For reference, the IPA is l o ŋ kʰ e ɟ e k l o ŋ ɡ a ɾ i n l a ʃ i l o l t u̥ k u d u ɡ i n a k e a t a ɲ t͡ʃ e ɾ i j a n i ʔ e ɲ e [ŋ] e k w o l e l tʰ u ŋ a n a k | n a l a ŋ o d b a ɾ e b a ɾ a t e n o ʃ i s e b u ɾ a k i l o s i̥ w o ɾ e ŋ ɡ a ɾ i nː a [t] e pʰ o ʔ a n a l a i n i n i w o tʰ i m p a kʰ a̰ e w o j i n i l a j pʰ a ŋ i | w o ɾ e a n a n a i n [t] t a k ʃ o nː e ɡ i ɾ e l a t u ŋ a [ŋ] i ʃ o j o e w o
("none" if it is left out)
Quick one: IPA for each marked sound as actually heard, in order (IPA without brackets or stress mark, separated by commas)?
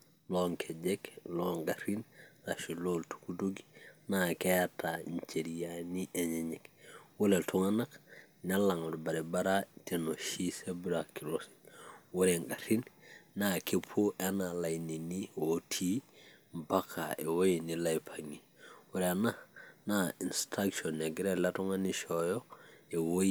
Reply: ɲ, k, s, n